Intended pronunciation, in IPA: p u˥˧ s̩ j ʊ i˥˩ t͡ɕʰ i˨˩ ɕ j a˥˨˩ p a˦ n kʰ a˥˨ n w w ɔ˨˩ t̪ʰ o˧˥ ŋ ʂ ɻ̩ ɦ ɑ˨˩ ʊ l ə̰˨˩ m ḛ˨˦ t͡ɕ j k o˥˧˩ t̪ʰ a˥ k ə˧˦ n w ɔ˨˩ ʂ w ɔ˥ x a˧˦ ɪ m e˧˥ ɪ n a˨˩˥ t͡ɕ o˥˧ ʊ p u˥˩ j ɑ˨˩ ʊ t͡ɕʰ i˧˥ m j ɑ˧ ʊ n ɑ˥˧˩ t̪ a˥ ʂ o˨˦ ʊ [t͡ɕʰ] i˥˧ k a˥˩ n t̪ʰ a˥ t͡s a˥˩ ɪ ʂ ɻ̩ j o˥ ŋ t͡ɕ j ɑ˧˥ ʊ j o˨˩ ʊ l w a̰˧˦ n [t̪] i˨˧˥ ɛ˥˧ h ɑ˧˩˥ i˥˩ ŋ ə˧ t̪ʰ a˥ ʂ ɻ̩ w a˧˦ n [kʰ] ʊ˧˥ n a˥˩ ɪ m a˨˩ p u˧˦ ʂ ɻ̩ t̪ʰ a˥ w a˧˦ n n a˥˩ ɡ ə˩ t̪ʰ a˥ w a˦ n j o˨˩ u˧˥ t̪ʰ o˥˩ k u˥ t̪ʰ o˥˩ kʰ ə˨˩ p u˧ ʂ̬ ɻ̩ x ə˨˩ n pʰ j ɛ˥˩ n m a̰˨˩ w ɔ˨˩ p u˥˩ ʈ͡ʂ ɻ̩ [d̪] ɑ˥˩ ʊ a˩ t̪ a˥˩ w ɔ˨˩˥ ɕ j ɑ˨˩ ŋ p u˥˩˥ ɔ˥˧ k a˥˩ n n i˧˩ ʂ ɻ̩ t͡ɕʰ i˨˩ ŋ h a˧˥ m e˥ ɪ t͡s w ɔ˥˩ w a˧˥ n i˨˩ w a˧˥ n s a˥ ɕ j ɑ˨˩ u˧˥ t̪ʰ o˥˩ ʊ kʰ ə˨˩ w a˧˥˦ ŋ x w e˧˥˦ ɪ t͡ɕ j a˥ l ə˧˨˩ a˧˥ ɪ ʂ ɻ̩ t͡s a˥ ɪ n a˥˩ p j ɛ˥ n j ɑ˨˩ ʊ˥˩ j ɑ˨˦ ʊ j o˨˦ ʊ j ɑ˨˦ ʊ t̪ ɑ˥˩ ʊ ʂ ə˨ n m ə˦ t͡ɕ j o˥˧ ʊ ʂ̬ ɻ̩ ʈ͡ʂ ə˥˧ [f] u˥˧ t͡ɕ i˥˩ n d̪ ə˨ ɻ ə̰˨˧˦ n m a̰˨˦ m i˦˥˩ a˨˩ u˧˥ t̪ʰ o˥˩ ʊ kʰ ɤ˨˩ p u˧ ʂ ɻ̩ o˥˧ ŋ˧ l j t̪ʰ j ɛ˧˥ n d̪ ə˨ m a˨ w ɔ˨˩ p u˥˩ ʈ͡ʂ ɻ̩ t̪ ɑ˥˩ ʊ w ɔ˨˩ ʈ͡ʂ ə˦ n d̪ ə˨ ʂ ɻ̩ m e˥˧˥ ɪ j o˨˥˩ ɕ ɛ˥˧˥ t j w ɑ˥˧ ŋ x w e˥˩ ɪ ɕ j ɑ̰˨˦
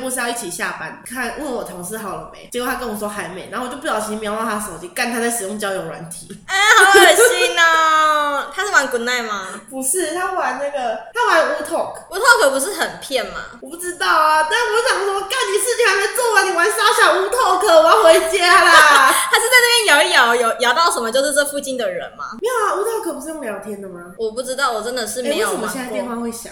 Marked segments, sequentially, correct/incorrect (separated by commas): incorrect, incorrect, incorrect, incorrect, correct